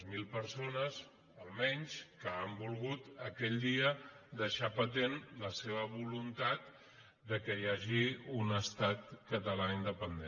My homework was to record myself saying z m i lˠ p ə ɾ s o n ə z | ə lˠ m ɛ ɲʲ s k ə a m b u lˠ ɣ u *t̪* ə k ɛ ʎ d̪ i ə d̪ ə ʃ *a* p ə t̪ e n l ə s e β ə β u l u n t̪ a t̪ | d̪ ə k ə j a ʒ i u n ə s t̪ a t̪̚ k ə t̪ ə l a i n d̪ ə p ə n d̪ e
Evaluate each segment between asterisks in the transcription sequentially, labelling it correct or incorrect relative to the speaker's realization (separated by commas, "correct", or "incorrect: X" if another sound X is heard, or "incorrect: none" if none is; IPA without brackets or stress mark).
correct, correct